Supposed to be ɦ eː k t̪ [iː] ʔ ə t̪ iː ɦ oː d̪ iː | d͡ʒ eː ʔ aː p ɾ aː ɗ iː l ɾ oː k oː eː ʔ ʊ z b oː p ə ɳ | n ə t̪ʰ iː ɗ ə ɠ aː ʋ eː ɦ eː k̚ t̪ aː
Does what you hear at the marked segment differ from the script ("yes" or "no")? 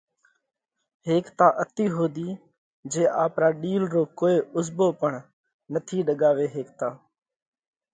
yes